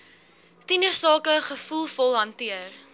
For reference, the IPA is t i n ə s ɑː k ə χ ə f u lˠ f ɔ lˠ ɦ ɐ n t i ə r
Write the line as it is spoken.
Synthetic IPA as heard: t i n ə s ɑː k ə χ ə f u lˠ f ɔ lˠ ɦ ɐ n t i ə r

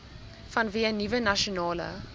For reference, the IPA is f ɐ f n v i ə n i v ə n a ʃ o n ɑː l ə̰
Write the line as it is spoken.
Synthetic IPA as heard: f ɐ n v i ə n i v ə n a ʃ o n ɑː l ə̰

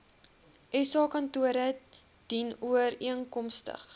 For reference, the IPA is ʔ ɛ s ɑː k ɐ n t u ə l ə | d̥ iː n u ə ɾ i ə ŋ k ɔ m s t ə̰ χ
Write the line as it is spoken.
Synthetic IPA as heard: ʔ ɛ s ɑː k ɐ n t u ə ɾ ə | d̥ i n u ə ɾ i ə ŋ k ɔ m s t ə̰ χ

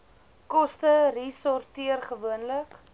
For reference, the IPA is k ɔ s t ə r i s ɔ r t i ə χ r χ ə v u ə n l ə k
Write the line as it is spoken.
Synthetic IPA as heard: k ɔ s t ə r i s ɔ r t i ə r χ ə v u ə n l ə k

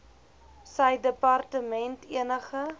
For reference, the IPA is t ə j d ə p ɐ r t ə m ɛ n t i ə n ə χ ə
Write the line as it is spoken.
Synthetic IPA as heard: s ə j d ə p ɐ r t ə m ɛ n t i ə n ə χ ə

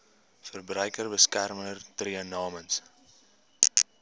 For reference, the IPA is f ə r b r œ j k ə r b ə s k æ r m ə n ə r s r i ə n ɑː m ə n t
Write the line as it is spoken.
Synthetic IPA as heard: f ə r b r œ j k ə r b ə s k æ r m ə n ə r t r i ə n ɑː m ə n s

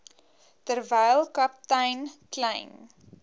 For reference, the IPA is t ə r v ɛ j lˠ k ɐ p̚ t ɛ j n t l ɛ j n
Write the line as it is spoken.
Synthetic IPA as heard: t ə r v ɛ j lˠ k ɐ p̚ t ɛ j n k l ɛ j n

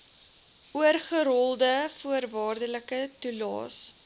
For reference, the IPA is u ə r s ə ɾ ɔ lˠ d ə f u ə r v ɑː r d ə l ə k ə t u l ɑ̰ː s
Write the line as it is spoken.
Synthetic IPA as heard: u ə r χ ə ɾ ɔ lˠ d ə f u ə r v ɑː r d ə l ə k ə t u l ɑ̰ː s

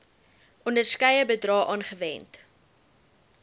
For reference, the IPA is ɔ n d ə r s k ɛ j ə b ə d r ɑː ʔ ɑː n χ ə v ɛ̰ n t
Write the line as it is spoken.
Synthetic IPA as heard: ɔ n d ə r s k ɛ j ə b ə d r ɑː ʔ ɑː n χ ə v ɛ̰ n t

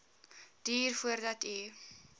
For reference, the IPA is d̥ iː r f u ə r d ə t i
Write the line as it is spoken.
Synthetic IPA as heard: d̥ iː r f u ə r d ɐ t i

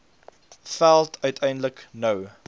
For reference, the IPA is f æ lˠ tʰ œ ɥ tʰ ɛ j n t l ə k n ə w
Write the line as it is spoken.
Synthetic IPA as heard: f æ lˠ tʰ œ ɥ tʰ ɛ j n d l ə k n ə w

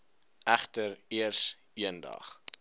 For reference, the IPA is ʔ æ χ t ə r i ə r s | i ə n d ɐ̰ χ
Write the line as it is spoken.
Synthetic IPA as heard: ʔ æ χ t ə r i ə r s | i ə n d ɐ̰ χ

